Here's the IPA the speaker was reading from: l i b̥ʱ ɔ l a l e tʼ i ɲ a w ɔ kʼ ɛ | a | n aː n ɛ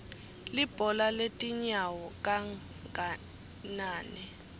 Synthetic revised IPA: l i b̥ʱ ɔ l a l e tʼ i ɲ a w ɔ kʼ a | a | n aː n ɛ